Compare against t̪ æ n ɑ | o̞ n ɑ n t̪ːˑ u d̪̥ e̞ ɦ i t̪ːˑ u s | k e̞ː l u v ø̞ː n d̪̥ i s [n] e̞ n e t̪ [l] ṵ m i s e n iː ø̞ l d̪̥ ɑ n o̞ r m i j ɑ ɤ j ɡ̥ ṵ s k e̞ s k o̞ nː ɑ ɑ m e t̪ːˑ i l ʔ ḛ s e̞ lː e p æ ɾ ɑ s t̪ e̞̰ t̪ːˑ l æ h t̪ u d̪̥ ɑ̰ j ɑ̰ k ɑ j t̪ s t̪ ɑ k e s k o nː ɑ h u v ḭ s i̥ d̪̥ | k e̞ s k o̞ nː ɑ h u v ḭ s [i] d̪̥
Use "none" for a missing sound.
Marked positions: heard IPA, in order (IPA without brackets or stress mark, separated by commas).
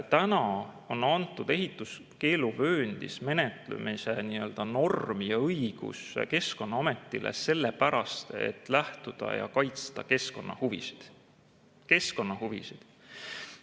m, l, i